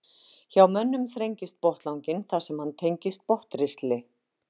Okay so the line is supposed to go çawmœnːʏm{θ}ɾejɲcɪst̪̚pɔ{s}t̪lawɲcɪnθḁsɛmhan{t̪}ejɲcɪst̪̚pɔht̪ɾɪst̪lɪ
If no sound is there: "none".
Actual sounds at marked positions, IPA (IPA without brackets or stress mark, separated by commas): θ, h, t̪ʰ